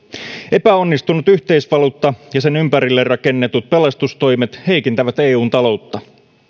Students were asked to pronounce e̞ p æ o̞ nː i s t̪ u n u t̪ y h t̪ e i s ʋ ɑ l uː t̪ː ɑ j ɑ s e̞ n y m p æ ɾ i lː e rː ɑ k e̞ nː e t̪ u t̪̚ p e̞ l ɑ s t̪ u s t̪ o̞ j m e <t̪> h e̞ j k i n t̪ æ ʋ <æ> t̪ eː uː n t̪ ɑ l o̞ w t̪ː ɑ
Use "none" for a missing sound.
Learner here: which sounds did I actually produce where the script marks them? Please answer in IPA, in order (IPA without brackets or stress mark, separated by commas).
t̪, æ